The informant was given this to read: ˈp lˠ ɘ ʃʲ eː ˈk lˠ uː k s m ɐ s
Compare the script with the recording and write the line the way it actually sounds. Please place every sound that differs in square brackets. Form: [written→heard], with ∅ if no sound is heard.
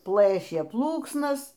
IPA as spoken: ˈp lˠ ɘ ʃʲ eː [ˈk→ˈp] lˠ uː k s [m→n] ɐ s